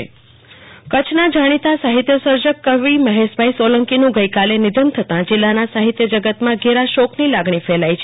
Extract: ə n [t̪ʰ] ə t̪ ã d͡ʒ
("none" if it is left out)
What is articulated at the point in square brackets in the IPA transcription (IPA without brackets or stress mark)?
t̪ʰ